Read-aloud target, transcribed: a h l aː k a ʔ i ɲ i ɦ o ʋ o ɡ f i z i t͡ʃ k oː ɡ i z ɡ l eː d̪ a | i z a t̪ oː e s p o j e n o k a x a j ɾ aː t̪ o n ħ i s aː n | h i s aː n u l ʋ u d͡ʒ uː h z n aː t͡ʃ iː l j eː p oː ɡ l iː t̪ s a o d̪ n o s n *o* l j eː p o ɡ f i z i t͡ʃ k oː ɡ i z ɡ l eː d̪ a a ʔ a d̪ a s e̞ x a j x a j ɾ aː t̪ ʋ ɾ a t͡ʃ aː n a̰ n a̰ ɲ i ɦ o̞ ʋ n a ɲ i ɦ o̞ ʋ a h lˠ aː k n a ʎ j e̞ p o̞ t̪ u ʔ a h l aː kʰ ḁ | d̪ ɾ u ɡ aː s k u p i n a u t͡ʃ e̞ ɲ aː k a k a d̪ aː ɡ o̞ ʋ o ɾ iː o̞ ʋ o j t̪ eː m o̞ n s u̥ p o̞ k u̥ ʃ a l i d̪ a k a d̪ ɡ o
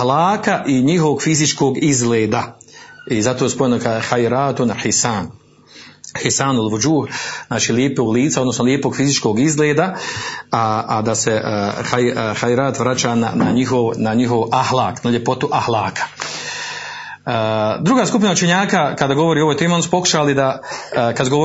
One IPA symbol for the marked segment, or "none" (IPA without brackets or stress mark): o